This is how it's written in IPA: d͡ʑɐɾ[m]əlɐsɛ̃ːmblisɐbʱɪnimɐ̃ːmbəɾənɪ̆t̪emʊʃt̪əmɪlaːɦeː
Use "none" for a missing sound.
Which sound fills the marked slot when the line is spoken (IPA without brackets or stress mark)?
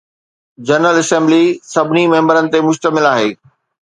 n